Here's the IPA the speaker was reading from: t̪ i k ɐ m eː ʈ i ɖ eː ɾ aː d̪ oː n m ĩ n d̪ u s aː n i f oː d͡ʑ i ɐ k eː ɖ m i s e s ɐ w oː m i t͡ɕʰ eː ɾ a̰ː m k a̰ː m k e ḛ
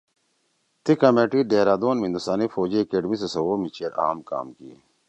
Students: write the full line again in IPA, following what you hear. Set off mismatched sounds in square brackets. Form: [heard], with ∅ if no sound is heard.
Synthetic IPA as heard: t̪ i k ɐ m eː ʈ i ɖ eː ɾ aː d̪ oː n m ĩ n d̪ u s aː n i f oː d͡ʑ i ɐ k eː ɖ m i s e s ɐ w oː m i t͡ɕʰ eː ɾ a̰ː m k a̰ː m k [i] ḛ